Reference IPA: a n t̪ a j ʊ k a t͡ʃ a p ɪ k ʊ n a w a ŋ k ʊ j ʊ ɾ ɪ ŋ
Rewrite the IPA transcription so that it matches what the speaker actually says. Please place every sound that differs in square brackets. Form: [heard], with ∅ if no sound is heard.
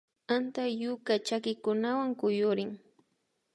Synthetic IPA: a n t̪ a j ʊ k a t͡ʃ a [k] ɪ k ʊ n a w a ŋ k ʊ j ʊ ɾ ɪ ŋ